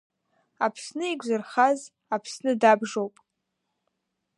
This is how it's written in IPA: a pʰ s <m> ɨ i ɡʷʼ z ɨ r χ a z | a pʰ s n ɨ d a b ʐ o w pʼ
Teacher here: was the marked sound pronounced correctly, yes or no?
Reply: no